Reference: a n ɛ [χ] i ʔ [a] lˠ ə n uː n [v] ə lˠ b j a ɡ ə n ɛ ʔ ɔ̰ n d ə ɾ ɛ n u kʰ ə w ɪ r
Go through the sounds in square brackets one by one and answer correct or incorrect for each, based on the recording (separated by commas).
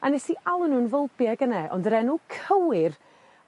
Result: incorrect, correct, correct